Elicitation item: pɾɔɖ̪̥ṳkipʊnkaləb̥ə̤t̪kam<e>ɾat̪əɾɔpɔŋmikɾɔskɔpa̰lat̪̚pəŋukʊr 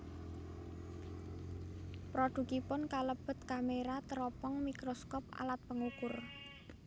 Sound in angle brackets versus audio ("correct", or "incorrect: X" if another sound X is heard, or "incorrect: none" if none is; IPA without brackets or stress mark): correct